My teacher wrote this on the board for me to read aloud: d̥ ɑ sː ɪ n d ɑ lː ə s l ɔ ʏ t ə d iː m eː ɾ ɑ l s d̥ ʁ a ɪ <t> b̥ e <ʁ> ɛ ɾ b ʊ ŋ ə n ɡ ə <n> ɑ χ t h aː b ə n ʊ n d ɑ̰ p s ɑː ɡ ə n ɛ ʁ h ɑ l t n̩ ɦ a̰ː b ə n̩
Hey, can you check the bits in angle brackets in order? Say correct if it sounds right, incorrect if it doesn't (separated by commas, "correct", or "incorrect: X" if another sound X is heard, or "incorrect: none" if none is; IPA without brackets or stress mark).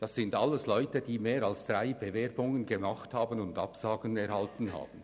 incorrect: none, incorrect: v, incorrect: m